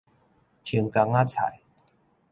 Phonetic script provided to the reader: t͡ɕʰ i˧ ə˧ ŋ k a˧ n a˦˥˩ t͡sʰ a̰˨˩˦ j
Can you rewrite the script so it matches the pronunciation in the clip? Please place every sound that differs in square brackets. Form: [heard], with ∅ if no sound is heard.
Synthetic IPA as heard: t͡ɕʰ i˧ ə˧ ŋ k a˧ [ŋ] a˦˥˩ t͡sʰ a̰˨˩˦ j